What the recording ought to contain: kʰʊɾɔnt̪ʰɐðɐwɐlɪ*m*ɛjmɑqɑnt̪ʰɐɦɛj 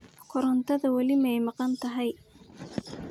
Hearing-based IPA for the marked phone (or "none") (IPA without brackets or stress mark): m